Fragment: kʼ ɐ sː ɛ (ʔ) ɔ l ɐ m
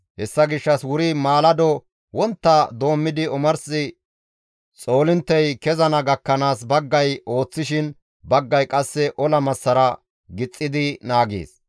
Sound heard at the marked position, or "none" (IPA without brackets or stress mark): ʔ